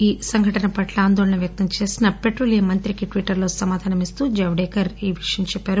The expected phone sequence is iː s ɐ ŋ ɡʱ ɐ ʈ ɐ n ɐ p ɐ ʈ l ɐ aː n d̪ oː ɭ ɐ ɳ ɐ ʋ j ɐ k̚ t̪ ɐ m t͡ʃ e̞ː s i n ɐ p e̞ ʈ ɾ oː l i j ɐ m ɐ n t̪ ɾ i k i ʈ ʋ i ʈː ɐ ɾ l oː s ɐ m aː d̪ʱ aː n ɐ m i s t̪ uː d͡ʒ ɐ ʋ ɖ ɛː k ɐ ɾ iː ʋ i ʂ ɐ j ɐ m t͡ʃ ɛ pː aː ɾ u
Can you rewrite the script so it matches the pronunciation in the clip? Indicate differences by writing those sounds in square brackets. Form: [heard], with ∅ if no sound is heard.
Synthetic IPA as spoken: iː s ɐ ŋ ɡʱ ɐ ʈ ɐ n ɐ p ɐ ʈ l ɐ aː n d̪ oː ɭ ɐ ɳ ɐ ʋ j ɐ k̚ t̪ ɐ m t͡ʃ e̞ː s i n ɐ p e̞ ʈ ɾ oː l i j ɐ m ɐ n t̪ ɾ i k i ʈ ʋ i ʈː ɐ ɾ l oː s ɐ m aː d̪ʱ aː n ɐ m i s t̪ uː d͡ʒ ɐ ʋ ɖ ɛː k ɐ ɾ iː ʋ i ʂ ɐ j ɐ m t͡ʃ ɛ pː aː ɾ u